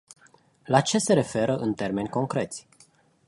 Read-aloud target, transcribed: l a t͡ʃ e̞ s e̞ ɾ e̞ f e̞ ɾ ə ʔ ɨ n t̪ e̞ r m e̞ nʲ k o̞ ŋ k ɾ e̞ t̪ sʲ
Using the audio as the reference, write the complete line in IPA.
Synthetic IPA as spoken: l a t͡ʃ e̞ s e̞ ɾ e̞ f e̞ ɾ ə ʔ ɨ n t̪ e̞ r m e̞ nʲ k o̞ ŋ k ɾ e̞ t̪ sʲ